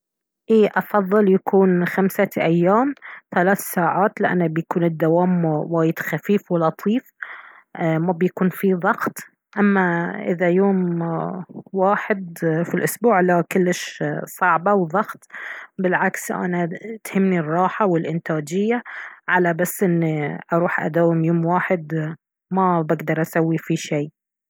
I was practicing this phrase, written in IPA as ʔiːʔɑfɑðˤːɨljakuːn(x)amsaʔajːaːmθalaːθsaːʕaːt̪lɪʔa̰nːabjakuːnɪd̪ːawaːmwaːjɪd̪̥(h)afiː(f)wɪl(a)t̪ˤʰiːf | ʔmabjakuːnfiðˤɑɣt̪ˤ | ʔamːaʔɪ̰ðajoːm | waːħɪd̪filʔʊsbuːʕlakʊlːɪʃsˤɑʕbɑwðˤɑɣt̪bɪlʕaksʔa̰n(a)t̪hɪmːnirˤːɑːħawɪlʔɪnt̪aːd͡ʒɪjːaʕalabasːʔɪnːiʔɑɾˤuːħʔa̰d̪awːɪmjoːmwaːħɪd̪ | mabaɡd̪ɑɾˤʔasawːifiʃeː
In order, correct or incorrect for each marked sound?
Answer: correct, incorrect, correct, incorrect, correct

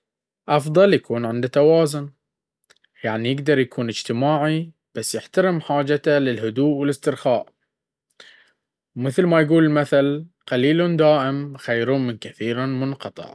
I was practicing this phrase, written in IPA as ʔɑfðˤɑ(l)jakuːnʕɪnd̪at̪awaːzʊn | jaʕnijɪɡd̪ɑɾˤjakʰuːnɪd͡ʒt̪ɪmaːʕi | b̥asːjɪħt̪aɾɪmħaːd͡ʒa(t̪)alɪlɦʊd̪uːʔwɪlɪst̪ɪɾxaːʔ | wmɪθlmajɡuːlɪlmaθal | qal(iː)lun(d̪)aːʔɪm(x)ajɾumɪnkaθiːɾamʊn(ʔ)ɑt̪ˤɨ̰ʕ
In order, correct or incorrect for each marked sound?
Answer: correct, correct, correct, correct, correct, incorrect

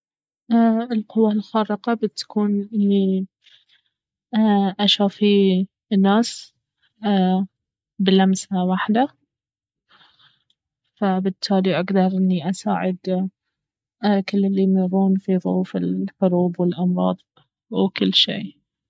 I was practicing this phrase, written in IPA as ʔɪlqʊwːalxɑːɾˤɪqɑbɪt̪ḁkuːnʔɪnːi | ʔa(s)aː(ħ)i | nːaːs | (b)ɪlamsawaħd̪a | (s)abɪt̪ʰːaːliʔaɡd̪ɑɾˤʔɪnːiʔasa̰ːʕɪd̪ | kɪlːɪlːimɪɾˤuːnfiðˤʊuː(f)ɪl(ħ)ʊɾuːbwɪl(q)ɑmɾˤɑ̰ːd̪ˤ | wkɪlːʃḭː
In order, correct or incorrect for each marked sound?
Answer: incorrect, incorrect, correct, incorrect, correct, correct, incorrect

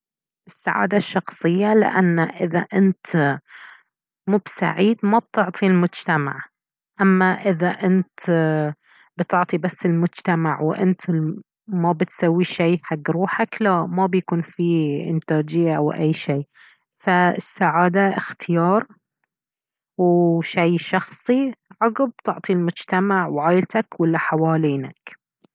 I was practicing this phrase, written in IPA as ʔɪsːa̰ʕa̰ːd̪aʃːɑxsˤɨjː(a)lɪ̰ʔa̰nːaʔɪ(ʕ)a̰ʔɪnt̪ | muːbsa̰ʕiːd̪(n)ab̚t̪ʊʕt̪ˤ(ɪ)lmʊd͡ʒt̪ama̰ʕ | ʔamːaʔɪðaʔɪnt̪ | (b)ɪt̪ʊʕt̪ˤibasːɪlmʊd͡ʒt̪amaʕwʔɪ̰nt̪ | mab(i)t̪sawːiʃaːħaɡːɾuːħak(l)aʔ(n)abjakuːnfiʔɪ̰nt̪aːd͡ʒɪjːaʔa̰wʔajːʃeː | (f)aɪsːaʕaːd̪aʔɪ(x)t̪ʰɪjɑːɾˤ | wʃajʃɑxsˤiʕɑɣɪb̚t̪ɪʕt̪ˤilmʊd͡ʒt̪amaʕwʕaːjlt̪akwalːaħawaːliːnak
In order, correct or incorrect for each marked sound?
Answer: correct, incorrect, incorrect, incorrect, correct, incorrect, correct, incorrect, correct, correct

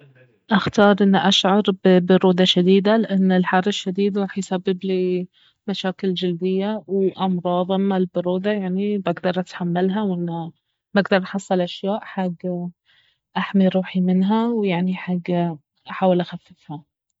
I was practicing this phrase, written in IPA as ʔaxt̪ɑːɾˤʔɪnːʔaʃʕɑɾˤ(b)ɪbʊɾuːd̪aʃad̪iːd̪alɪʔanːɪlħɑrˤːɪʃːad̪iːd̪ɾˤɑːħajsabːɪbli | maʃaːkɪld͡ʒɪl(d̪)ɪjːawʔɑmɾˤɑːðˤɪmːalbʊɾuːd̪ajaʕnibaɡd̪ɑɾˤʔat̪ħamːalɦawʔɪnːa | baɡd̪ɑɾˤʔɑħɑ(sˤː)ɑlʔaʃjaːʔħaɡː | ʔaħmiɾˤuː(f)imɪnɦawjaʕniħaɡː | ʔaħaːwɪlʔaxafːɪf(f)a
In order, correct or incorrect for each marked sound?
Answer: correct, correct, correct, incorrect, incorrect

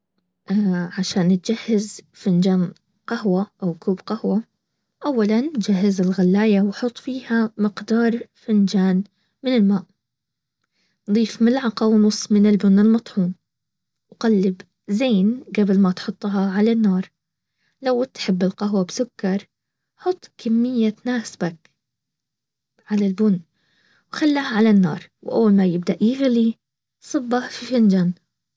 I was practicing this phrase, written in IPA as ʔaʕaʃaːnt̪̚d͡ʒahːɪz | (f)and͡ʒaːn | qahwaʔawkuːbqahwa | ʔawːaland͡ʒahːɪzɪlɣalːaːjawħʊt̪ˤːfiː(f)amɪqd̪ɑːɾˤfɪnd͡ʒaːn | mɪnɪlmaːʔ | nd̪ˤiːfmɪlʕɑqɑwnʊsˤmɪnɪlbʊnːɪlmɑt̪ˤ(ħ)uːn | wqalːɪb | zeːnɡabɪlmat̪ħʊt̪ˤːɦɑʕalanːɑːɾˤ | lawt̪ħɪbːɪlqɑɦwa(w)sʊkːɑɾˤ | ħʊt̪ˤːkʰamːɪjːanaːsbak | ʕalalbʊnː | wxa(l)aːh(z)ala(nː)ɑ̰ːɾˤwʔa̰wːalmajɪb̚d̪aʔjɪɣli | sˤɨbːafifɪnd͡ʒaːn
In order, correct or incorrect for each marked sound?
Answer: correct, incorrect, correct, incorrect, incorrect, incorrect, correct

